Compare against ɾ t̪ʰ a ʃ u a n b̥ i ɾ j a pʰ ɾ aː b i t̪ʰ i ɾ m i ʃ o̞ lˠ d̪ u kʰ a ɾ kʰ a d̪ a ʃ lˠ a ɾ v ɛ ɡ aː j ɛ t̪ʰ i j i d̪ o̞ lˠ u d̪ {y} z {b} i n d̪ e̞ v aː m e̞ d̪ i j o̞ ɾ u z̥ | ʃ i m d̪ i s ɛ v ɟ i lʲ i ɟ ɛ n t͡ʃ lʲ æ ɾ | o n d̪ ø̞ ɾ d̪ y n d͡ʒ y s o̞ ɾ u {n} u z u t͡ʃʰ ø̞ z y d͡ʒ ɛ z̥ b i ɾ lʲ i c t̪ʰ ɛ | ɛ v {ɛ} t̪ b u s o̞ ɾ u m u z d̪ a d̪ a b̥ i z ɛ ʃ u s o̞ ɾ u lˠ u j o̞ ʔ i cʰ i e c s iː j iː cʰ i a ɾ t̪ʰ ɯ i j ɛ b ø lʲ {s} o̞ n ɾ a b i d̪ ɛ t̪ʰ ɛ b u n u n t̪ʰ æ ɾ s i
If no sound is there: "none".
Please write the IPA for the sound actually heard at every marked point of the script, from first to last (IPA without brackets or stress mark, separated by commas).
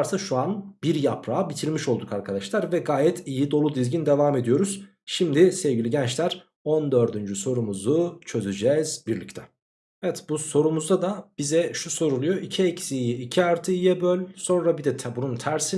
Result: i, ɟ, m, ɛ, s